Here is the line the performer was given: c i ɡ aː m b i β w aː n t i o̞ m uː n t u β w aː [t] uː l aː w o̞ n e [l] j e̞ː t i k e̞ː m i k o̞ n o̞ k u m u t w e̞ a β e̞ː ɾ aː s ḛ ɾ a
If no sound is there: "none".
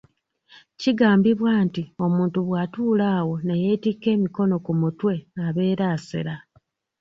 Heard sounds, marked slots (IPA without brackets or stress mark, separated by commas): t, none